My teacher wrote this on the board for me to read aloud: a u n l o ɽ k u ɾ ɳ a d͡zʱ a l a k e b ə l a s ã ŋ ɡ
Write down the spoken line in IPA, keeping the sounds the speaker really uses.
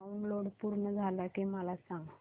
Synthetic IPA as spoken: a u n l o ɽ p u ɾ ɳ ə d͡zʱ a l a k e m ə l a s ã ŋ ɡ